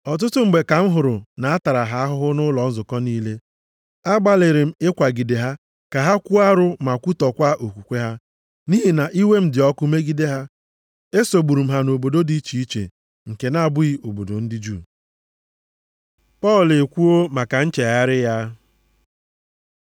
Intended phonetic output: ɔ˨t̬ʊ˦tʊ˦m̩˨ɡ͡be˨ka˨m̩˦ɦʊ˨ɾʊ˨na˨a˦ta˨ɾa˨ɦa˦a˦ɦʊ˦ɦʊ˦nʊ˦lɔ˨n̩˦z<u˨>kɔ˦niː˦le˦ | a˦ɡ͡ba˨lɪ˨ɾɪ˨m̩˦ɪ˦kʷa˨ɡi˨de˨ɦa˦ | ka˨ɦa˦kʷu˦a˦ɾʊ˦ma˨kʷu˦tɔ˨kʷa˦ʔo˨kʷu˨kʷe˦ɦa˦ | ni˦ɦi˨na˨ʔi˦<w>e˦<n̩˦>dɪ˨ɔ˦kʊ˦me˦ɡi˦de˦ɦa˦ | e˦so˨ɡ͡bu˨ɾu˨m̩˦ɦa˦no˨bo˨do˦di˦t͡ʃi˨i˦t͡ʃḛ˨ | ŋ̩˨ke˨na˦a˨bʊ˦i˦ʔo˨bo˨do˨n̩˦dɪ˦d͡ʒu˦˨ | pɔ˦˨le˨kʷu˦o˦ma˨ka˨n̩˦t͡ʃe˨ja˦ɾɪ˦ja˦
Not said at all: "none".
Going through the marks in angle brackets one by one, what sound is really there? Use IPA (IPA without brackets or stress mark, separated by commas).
ʊ˨, w, m̩˦